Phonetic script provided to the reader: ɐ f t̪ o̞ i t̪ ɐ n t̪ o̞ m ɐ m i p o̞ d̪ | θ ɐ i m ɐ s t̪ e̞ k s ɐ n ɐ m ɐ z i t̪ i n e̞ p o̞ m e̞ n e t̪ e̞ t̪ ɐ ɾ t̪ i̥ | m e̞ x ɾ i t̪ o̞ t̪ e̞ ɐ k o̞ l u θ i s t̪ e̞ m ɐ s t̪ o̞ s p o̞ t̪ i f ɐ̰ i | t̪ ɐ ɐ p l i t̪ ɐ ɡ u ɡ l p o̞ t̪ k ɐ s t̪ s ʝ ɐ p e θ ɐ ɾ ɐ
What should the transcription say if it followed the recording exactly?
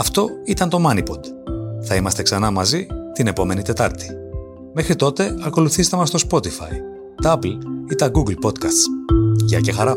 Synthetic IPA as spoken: ɐ f t̪ o̞ i t̪ ɐ n t̪ o̞ m ɐ n i p o̞ d̪ | θ ɐ i m ɐ s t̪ e̞ k s ɐ n ɐ m ɐ z i t̪ i n e̞ p o̞ m e̞ n i t̪ e̞ t̪ ɐ ɾ t̪ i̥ | m e̞ x ɾ i t̪ o̞ t̪ e̞ ɐ k o̞ l u θ i s t̪ e̞ m ɐ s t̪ o̞ s p o̞ t̪ i f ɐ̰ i | t̪ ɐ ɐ p l i t̪ ɐ ɡ u ɡ l p o̞ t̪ k ɐ s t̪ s ʝ ɐ c e x ɐ ɾ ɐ